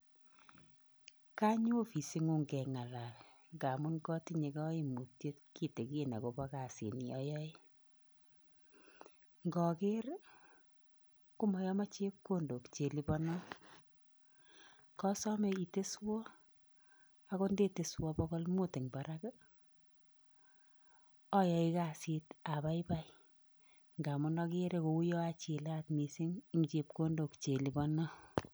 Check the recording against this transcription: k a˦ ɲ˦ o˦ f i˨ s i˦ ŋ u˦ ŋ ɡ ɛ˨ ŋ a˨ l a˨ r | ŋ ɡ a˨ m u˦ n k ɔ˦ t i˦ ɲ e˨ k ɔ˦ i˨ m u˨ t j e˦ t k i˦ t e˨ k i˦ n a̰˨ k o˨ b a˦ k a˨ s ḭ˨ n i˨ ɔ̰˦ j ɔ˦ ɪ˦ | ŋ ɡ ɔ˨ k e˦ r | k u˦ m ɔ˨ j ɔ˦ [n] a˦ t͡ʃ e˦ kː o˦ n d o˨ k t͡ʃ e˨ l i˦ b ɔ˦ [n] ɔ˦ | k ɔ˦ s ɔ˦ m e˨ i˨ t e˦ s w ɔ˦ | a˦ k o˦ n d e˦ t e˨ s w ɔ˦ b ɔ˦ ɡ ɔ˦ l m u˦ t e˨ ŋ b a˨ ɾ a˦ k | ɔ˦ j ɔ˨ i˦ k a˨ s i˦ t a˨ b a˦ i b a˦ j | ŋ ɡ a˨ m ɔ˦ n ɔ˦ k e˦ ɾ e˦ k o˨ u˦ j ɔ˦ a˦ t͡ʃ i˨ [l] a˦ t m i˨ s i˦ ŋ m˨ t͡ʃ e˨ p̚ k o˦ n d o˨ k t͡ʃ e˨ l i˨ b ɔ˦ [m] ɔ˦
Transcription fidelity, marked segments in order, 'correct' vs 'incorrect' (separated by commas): incorrect, correct, correct, incorrect